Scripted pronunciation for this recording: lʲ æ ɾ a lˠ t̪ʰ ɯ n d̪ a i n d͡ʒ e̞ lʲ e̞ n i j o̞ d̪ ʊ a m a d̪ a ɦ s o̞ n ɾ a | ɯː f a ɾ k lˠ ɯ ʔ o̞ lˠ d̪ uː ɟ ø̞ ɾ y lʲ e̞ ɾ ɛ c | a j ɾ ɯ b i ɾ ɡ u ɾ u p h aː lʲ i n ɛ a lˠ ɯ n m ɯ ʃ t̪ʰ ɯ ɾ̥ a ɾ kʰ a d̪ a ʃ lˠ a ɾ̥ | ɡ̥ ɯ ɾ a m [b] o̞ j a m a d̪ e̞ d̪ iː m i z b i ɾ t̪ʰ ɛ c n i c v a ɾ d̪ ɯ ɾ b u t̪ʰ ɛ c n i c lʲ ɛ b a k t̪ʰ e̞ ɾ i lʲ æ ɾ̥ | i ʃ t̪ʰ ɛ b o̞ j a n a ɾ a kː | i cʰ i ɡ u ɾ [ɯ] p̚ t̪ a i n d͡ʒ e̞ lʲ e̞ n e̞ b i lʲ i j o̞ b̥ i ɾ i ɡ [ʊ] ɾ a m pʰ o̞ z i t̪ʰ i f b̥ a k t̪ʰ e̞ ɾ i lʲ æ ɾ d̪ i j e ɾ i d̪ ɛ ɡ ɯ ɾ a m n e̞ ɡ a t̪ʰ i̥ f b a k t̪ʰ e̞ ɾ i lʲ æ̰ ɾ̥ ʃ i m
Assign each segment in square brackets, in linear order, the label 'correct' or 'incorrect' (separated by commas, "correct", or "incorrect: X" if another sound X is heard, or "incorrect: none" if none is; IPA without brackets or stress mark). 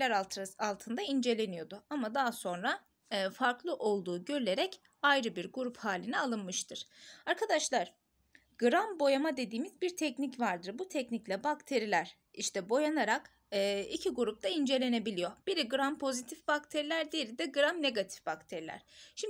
correct, incorrect: u, incorrect: ɯ